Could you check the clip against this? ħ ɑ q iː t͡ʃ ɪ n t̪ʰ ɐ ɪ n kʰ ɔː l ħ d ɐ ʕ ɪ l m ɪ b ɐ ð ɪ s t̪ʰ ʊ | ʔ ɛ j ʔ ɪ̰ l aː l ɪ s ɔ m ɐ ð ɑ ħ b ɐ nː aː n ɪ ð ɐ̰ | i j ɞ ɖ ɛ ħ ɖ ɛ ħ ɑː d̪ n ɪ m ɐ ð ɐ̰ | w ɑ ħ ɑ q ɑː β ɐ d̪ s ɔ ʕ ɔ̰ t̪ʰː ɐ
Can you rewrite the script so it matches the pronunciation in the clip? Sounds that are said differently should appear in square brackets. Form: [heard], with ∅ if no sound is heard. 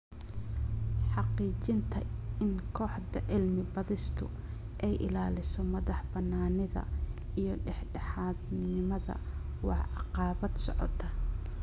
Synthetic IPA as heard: ħ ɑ q iː t͡ʃ ɪ n t̪ʰ ɐ ɪ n kʰ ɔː [∅] ħ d ɐ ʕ ɪ l m ɪ b ɐ ð ɪ s t̪ʰ ʊ | ʔ ɛ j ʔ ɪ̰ l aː l ɪ s ɔ m ɐ ð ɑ ħ b ɐ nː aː n ɪ ð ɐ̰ | i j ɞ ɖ ɛ ħ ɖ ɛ ħ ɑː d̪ n ɪ m ɐ ð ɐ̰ | w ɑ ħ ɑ q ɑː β ɐ d̪ s ɔ ʕ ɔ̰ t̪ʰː ɐ